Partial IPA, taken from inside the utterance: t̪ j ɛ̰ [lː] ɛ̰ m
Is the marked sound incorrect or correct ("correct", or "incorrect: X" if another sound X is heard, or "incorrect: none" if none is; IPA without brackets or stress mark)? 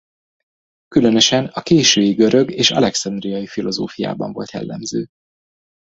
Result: correct